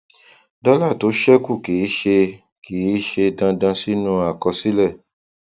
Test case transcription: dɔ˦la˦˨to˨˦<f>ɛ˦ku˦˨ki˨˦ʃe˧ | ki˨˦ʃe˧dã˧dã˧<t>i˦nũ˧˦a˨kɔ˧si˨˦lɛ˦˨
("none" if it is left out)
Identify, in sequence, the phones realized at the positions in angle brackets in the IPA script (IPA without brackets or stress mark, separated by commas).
ʃ, s